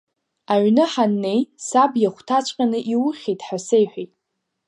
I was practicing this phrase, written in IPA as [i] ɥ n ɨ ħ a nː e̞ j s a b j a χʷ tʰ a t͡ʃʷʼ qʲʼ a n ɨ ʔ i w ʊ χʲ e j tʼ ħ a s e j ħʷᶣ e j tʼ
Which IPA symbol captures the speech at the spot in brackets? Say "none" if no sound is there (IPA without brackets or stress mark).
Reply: a